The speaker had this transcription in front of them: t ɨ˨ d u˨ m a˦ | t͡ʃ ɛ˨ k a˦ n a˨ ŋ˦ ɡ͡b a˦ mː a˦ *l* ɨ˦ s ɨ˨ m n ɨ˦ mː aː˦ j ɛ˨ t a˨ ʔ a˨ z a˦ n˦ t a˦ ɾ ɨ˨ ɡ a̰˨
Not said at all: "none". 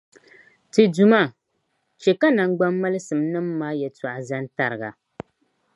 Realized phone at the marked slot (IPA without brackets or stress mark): l